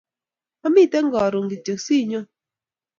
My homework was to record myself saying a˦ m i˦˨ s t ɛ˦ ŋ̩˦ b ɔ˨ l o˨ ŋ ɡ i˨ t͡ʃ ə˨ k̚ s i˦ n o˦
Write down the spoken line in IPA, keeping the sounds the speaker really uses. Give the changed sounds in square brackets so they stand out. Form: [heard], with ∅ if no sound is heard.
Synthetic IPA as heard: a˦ m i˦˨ [∅] t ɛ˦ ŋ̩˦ [ɡ] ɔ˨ [ɾ] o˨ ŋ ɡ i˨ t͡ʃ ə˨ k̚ s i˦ [ɲ] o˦